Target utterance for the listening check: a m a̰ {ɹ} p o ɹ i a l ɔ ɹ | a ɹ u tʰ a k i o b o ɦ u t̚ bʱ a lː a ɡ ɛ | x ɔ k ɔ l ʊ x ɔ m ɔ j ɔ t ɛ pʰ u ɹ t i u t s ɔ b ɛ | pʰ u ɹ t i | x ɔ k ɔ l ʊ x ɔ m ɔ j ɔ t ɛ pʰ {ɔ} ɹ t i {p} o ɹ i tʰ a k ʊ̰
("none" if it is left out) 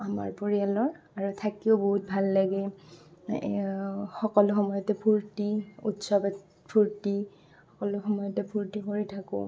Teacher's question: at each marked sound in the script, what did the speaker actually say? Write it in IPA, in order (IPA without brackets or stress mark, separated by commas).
ɹ, u, k